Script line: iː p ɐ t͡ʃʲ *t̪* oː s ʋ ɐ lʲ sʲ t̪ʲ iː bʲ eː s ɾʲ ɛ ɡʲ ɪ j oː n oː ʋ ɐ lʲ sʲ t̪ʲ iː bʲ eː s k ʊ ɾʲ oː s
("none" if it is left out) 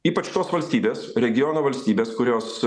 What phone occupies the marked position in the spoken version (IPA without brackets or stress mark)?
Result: t̪